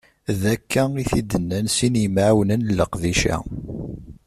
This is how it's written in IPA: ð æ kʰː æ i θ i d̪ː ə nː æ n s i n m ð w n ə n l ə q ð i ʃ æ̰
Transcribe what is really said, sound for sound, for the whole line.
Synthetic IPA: ð æ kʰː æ i θ i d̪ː ə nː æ n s i n m ʕ w n ə n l ə q ð i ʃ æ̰